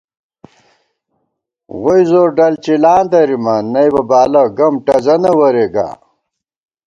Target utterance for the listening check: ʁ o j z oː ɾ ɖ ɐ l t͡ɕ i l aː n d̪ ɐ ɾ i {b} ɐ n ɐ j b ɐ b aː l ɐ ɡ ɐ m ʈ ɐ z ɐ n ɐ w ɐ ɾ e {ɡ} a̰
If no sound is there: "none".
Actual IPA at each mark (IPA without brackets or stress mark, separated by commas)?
m, ɡ